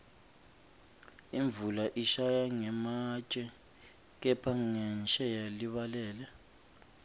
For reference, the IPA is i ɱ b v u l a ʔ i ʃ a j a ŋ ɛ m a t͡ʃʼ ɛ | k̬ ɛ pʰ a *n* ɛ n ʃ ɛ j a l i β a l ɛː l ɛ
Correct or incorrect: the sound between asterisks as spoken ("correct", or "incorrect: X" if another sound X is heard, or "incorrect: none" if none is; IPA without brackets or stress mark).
incorrect: ŋ